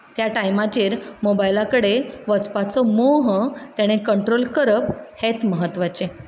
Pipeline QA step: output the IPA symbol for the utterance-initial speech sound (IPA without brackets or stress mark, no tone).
t̪